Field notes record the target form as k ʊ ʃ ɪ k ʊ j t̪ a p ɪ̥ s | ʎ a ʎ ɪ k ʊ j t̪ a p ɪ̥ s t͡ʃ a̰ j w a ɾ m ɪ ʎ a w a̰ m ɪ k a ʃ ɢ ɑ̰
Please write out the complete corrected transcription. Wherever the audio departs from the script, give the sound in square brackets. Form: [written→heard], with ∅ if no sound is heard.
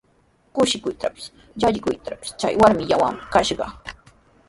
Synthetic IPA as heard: k ʊ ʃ ɪ k ʊ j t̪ a p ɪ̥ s | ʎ a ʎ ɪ k ʊ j t̪ a p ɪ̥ s t͡ʃ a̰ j w a ɾ m ɪ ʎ a w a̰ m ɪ k a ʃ ɢ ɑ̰

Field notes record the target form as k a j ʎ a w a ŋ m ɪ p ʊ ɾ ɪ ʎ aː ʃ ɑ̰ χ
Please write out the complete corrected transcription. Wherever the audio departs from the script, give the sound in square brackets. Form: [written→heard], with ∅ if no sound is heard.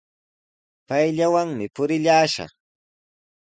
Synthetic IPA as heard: [k→p] a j ʎ a w a ŋ m ɪ p ʊ ɾ ɪ ʎ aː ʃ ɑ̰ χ

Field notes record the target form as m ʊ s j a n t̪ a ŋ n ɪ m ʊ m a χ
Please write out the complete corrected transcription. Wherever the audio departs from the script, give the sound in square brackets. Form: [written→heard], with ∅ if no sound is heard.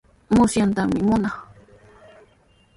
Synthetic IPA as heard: m ʊ s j a n t̪ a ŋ [n→m] ɪ m ʊ [m→n] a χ

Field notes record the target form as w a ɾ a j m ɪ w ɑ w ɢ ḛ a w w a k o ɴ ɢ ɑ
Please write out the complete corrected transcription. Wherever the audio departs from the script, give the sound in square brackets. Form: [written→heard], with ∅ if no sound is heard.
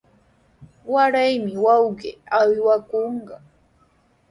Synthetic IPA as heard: w a ɾ a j m ɪ w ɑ w ɢ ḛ a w w a k o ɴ ɢ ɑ

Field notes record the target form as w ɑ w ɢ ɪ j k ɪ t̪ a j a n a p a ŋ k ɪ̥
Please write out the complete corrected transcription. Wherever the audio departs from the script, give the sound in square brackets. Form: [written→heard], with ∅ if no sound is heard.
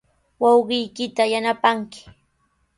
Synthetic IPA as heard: w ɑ w ɢ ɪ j k ɪ t̪ a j a n a p a ŋ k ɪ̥

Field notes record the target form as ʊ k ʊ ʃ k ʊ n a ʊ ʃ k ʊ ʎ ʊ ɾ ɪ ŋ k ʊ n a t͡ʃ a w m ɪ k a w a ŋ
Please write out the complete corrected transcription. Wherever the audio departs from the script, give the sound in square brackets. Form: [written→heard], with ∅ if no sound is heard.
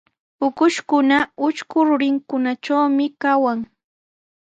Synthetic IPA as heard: ʊ k ʊ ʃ k ʊ n a ʊ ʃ k ʊ [ʎ→ɾ] ʊ ɾ ɪ ŋ k ʊ n a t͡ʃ a w m ɪ k a w a ŋ

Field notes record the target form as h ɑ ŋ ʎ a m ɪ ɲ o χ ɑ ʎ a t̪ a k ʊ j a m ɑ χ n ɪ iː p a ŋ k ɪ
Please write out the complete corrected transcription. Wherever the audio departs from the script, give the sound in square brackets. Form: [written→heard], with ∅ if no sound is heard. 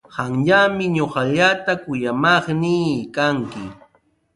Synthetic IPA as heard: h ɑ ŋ ʎ a m ɪ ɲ o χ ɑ ʎ a t̪ a k ʊ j a m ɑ χ n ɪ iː [p→k] a ŋ k ɪ

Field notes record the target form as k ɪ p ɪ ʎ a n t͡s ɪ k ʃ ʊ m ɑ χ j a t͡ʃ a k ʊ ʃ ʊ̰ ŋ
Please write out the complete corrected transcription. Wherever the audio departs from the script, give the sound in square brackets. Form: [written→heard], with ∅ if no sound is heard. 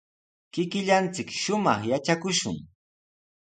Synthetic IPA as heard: k ɪ [p→k] ɪ ʎ a n t͡s ɪ k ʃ ʊ m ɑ χ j a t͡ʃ a k ʊ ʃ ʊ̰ ŋ

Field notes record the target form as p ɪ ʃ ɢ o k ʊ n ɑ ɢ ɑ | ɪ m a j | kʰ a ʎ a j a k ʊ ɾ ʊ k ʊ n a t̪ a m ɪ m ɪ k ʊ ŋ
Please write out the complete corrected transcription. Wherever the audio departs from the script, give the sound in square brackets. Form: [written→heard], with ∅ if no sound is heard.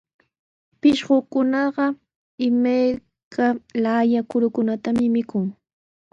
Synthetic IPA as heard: p ɪ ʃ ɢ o k ʊ n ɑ ɢ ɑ | ɪ m a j | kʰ a [ʎ→l] a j a k ʊ ɾ ʊ k ʊ n a t̪ a m ɪ m ɪ k ʊ ŋ

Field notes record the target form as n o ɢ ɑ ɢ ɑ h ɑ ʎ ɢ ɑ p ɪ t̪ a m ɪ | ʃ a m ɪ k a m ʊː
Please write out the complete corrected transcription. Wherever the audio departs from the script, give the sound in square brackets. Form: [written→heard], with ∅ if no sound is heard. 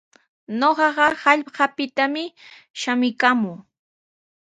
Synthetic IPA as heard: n o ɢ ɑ ɢ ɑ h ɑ ʎ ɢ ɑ p ɪ t̪ a m ɪ | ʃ a m ɪ k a m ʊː

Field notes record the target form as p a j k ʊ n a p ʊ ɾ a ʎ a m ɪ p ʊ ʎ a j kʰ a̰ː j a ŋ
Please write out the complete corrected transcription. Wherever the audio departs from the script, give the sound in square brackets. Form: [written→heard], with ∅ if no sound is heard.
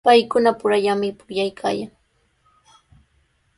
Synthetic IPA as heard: p a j k ʊ n a p ʊ ɾ a ʎ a m ɪ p ʊ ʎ a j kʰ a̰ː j a ŋ

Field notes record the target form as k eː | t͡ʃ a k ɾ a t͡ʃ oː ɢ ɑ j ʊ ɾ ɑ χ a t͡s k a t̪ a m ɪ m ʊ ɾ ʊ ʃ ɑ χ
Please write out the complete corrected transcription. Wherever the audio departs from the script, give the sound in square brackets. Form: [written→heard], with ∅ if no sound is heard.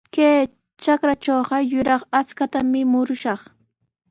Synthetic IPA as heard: k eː | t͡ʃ a k ɾ a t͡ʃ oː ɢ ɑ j ʊ ɾ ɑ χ a t͡s k a t̪ a m ɪ m ʊ ɾ ʊ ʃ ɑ χ

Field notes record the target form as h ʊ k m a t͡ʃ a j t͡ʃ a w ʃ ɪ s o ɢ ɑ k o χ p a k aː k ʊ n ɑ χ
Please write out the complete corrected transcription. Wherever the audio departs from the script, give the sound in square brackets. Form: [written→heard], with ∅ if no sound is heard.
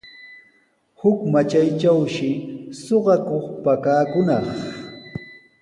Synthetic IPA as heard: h ʊ k m a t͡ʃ a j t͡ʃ a w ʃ ɪ s o ɢ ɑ k o χ p a k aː k ʊ n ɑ χ

